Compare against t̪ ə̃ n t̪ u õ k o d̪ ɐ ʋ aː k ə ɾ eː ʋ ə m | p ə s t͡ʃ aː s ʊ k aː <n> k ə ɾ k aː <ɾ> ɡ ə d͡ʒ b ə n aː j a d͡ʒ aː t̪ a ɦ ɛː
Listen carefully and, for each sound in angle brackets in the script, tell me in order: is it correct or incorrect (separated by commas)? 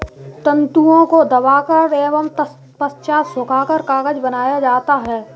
incorrect, incorrect